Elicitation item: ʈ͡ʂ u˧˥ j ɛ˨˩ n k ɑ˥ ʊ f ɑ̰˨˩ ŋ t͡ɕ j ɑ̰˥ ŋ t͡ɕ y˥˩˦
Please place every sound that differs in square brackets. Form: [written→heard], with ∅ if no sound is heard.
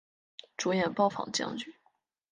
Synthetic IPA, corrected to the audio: ʈ͡ʂ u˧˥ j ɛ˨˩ n [k→p] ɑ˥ ʊ f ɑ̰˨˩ ŋ t͡ɕ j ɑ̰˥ ŋ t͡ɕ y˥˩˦